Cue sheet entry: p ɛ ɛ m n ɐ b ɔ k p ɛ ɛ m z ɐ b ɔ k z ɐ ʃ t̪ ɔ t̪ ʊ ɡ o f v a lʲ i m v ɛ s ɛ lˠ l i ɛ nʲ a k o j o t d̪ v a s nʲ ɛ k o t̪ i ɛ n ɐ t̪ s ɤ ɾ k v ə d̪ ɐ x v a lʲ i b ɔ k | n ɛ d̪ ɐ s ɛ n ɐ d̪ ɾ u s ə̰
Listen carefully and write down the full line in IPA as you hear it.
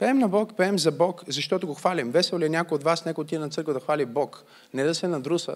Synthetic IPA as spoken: p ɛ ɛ m n ɐ b ɔ k p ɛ ɛ m z ɐ b ɔ k z ɐ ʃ t̪ ɔ t̪ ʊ ɡ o x v a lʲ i m v ɛ s ɛ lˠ l i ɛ nʲ a k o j o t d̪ v a s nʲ ɛ k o t̪ i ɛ n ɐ t̪ s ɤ ɾ k v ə d̪ ɐ x v a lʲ i b ɔ k | n ɛ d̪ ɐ s ɛ n ɐ d̪ ɾ u s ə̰